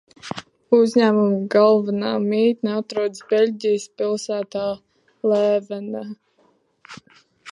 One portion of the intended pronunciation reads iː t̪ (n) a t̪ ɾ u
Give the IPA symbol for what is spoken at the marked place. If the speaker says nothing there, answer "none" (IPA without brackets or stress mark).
n